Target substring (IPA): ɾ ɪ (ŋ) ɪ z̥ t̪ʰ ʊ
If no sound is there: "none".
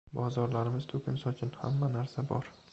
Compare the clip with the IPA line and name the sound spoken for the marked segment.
m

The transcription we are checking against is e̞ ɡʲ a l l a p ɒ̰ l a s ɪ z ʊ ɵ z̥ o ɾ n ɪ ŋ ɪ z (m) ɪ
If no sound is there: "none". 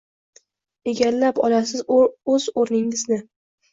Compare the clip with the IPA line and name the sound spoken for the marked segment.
n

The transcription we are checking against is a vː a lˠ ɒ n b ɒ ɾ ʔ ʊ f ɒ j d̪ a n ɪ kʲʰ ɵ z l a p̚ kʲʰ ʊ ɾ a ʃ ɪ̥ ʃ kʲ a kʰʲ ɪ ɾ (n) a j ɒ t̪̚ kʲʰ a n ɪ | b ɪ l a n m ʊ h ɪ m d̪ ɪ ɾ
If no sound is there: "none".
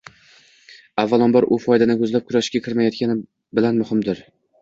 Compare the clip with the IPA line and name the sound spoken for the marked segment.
m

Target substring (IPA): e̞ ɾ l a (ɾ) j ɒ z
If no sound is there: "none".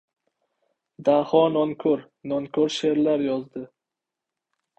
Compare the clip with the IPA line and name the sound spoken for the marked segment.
ɾ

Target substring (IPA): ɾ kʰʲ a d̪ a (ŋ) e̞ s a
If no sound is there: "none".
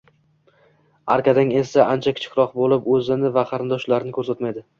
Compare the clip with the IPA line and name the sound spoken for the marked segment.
ŋ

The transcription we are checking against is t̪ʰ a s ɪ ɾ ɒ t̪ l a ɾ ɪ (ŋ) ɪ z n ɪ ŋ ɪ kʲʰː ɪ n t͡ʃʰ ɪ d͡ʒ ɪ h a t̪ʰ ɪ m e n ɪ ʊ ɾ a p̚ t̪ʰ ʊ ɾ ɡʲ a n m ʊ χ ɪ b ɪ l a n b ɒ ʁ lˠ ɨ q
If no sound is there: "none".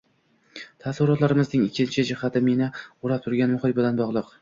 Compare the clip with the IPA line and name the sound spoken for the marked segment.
m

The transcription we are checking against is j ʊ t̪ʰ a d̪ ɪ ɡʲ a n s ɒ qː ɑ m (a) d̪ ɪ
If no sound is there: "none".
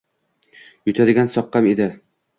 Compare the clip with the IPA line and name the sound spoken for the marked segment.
e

